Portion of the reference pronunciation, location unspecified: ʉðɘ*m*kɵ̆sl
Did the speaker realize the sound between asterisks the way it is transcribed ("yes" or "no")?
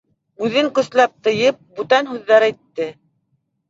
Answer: no